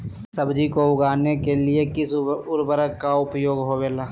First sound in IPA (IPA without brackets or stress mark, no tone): s